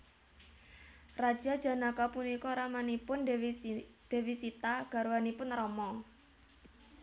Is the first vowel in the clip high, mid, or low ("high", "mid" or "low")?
low